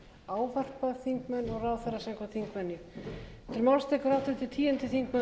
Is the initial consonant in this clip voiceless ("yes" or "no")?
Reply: no